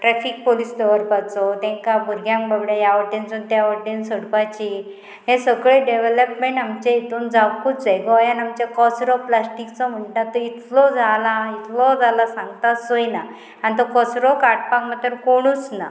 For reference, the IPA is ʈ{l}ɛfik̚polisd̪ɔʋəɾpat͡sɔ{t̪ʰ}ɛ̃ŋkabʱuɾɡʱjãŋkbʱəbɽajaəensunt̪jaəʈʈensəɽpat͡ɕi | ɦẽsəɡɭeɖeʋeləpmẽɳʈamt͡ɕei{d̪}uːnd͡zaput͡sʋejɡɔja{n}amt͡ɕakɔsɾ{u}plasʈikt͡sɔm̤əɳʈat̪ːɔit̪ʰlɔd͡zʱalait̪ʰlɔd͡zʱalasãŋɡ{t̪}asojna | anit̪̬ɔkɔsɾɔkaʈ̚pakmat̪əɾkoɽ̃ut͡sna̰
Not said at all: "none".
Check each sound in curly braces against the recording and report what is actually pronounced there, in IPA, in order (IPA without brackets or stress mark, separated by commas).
ɾ, t̪, t̪, n, ɔ, t̪